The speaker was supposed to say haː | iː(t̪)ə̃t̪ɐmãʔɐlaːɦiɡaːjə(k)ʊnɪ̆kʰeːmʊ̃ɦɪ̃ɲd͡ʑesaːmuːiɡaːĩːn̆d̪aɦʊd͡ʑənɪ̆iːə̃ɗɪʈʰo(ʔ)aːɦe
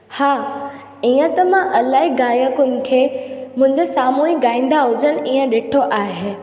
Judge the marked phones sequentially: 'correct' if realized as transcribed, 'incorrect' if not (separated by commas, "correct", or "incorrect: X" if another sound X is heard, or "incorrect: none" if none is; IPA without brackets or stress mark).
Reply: incorrect: none, correct, correct